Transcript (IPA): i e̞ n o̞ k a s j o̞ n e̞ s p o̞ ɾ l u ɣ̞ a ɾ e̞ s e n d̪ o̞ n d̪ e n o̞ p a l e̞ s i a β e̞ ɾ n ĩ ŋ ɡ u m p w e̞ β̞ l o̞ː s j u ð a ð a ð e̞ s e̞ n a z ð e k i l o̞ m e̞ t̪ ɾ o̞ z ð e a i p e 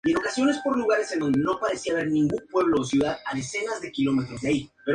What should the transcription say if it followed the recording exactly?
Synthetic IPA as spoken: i e̞ n o̞ k a s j o̞ n e̞ s p o̞ ɾ l u ɣ̞ a ɾ e̞ s e n d̪ o̞ n d̪ e n o̞ p a ɾ e̞ s i a β e̞ ɾ n ĩ ŋ ɡ u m p w e̞ β̞ l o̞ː s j u ð a ð a ð e̞ s e̞ n a z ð e k i l o̞ m e̞ t̪ ɾ o̞ z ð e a i p e